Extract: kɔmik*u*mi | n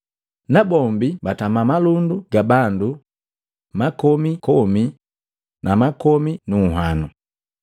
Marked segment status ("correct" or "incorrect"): incorrect